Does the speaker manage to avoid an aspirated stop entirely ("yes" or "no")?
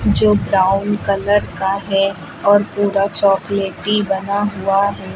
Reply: yes